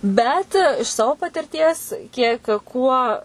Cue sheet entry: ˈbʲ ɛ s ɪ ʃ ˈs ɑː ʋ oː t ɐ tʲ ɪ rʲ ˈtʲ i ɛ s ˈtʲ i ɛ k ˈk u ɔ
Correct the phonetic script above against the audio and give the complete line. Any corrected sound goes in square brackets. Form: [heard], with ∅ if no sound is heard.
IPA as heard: ˈbʲ ɛ [t] ɪ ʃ ˈs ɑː ʋ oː [p] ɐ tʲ ɪ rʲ ˈtʲ i ɛ s [ˈkʲ] i ɛ k ˈk u ɔ